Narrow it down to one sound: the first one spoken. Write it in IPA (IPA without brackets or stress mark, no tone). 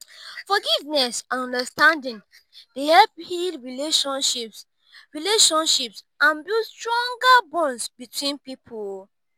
f